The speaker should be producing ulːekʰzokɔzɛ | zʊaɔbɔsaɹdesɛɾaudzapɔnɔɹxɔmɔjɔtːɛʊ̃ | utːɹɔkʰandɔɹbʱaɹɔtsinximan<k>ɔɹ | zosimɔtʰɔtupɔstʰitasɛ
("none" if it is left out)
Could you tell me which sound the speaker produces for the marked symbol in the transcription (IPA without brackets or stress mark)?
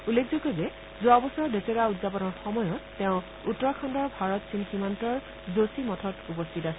t